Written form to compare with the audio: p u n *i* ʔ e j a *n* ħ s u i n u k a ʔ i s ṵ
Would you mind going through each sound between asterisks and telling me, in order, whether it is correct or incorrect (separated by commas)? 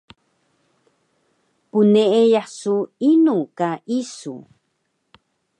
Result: incorrect, incorrect